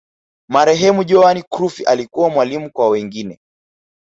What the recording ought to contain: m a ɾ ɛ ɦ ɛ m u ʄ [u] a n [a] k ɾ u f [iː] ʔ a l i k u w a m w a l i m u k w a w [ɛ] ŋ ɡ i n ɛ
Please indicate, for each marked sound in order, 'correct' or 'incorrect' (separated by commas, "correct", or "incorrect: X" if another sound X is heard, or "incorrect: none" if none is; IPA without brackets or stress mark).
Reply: incorrect: ɔ, incorrect: i, incorrect: i, correct